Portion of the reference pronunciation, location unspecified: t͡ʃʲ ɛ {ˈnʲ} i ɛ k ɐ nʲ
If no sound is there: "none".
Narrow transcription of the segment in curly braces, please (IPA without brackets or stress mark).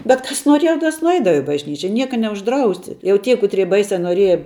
nʲ